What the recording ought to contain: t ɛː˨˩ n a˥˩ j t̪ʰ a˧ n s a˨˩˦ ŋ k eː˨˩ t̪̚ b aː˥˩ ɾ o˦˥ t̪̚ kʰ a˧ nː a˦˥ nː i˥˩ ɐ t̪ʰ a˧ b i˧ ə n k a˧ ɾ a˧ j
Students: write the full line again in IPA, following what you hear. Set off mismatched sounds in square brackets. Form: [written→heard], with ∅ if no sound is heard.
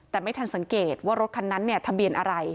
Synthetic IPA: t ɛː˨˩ [n→m] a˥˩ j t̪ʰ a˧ n s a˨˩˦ ŋ k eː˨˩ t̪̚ [b→w] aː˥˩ ɾ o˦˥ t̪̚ kʰ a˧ nː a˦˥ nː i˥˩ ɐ t̪ʰ a˧ b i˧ ə n [k→ʔ] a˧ ɾ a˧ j

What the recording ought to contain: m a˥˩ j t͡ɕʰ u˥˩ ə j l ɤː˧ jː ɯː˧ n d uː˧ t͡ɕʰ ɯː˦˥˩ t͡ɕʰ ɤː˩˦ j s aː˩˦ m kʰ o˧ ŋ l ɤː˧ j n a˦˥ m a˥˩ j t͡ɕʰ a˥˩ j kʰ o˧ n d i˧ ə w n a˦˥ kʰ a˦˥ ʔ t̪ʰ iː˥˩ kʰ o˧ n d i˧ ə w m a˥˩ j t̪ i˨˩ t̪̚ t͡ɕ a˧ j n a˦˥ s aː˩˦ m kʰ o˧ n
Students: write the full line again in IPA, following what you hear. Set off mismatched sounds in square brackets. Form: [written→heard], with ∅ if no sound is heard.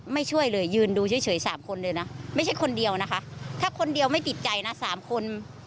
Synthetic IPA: m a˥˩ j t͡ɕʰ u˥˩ ə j l ɤː˧ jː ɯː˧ n d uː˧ t͡ɕʰ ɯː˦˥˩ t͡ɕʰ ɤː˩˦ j s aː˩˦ m kʰ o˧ [ŋ→n] l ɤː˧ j n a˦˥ m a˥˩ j t͡ɕʰ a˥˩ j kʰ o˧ n d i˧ ə w n a˦˥ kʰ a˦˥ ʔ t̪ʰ [iː˥˩→aː˥˩] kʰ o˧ n d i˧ ə w m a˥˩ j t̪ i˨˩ t̪̚ t͡ɕ a˧ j n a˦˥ s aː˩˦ m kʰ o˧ n

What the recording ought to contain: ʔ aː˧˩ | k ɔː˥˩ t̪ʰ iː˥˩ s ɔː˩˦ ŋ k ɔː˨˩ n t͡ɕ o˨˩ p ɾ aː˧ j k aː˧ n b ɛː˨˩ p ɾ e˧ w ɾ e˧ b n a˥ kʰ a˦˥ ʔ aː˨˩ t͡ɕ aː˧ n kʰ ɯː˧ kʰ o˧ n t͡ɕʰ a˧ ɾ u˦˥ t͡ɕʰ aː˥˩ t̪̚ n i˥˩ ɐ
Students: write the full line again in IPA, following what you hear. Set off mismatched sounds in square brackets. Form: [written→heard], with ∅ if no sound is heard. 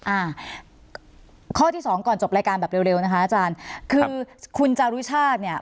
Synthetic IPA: ʔ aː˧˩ | [k→kʰ] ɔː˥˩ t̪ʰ iː˥˩ s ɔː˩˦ ŋ k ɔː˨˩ n t͡ɕ o˨˩ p ɾ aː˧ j k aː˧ n b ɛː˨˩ p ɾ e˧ w ɾ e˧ [b→w] n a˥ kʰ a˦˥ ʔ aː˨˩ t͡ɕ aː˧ n kʰ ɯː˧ kʰ [o˧→u˧] n [t͡ɕʰ→t͡ɕ] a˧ ɾ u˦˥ t͡ɕʰ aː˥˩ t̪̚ n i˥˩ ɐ

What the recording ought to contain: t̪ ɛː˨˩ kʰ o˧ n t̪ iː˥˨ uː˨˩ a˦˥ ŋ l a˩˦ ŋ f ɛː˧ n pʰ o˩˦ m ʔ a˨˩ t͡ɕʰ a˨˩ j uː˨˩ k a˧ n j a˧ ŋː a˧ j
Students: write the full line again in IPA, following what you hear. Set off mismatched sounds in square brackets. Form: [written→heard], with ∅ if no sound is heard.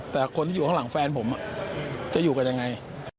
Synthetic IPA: t̪ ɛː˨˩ kʰ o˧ n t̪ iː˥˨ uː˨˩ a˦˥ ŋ l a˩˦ ŋ f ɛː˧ n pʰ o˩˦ m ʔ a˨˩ [t͡ɕʰ→t͡ɕ] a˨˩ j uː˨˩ k a˧ n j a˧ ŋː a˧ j

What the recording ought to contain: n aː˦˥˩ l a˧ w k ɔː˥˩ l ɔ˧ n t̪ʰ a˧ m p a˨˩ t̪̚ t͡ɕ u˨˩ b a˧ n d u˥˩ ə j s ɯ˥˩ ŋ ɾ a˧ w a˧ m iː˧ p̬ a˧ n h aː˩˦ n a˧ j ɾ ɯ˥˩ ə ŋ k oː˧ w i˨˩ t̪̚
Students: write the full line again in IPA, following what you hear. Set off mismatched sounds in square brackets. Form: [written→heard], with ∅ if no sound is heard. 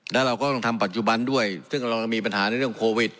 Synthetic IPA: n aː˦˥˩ [l→ɾ] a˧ w k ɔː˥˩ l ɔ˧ [n→ŋ] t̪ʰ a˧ m p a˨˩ t̪̚ t͡ɕ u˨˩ b a˧ n d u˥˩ ə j s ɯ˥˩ ŋ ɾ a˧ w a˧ m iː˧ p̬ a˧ n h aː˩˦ n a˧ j ɾ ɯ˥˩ ə ŋ [k→kʰ] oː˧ w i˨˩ t̪̚

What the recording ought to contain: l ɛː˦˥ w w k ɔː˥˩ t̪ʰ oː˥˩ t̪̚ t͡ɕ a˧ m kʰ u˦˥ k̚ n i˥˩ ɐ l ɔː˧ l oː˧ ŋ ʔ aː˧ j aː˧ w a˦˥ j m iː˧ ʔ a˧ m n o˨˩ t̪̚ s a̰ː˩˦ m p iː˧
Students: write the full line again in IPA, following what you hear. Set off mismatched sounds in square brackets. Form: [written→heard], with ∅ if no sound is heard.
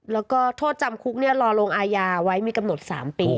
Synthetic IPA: l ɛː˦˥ w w k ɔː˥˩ t̪ʰ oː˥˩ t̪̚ t͡ɕ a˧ m kʰ u˦˥ k̚ n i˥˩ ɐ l ɔː˧ l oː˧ ŋ ʔ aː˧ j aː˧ w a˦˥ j m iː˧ [ʔ→k] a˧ m n o˨˩ t̪̚ s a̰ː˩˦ m p iː˧

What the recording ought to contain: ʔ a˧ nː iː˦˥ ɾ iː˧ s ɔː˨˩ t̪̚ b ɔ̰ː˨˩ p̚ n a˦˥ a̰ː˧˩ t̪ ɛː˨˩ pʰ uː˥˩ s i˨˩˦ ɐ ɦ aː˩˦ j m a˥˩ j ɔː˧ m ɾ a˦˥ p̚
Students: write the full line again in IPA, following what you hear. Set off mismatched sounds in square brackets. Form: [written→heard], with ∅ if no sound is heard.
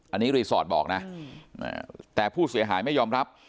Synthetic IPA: ʔ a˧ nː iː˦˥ ɾ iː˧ s ɔː˨˩ t̪̚ b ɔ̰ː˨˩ [p̚→k̚] n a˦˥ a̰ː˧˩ t̪ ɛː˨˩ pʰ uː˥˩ s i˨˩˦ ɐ ɦ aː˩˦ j m a˥˩ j ɔː˧ m ɾ a˦˥ p̚

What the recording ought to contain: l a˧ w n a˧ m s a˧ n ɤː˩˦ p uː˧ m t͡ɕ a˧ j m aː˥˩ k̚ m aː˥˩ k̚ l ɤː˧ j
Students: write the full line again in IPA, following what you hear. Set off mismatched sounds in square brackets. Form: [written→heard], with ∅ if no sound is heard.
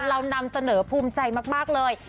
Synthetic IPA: [l→ɾ] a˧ w n a˧ m s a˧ n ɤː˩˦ [p→pʰ] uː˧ m t͡ɕ a˧ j m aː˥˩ k̚ m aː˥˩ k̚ l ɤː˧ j

